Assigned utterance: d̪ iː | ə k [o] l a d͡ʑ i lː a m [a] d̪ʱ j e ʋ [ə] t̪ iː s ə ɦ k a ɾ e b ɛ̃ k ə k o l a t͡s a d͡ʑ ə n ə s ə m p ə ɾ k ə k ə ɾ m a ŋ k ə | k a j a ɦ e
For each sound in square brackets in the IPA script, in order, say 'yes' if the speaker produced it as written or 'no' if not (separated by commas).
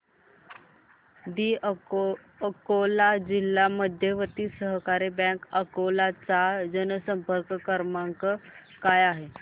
yes, no, yes